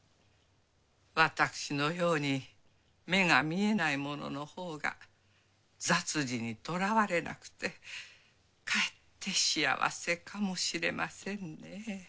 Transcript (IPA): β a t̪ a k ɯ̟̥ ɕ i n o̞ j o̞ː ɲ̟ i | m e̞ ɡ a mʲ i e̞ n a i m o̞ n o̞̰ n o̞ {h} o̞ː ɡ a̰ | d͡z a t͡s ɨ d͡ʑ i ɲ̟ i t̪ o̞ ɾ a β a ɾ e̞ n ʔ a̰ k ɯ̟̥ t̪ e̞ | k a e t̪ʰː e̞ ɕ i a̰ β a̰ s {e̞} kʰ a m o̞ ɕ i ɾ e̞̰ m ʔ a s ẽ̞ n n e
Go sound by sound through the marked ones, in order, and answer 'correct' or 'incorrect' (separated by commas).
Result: correct, correct